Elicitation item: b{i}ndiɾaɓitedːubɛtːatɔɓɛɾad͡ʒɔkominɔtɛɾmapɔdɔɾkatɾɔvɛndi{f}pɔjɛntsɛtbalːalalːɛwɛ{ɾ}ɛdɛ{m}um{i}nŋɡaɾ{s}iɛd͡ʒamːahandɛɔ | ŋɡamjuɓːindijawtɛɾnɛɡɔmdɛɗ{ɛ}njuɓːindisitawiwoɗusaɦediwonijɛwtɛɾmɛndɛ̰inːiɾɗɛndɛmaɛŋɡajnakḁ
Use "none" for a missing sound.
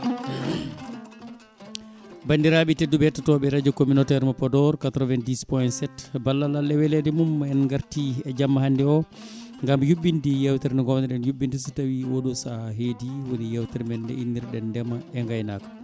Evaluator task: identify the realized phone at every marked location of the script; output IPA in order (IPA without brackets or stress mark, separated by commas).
a, s, l, m, ɛ, t, ɛ